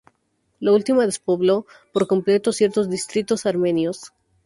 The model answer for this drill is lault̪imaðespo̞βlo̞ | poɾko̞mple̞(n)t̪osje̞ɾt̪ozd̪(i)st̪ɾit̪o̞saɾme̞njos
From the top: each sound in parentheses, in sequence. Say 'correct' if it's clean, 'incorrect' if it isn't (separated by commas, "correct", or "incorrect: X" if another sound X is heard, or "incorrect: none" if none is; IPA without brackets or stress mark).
incorrect: none, correct